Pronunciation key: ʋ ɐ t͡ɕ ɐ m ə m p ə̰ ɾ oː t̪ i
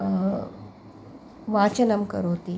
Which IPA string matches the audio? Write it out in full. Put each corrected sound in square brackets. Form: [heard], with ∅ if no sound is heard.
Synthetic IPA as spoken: ʋ [a] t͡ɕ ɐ [n] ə m [k] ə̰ ɾ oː t̪ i